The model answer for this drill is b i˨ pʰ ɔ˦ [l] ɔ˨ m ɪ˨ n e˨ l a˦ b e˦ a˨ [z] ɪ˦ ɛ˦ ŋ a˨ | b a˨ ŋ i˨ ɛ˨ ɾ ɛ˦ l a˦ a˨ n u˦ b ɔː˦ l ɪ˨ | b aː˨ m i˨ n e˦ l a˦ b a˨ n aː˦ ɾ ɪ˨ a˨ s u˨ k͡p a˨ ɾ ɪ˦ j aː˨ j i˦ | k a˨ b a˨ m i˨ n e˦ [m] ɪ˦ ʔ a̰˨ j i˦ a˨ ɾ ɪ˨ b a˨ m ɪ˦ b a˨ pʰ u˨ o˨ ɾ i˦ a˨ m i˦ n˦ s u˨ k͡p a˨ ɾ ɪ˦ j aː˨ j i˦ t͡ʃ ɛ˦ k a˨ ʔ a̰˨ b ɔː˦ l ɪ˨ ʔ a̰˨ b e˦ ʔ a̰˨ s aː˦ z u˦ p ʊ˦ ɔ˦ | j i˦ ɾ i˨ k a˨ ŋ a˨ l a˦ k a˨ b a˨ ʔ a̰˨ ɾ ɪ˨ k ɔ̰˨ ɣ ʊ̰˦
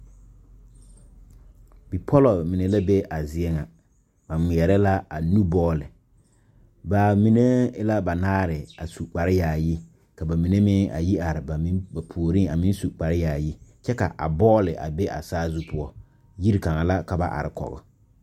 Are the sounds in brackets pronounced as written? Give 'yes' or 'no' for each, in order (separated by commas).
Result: yes, yes, yes